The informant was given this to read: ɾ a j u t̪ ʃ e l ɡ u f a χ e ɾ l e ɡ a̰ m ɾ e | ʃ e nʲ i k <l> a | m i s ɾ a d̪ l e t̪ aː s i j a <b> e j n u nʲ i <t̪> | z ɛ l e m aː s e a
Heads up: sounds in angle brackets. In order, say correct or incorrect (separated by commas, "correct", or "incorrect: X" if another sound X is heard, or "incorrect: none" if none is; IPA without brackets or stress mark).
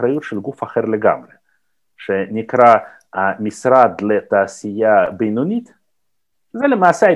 incorrect: ɾ, correct, correct